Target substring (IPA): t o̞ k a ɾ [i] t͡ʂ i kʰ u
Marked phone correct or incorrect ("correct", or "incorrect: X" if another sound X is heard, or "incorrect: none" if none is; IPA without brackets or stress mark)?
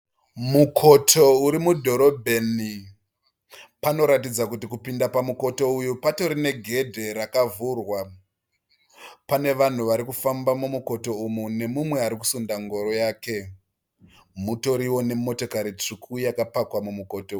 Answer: correct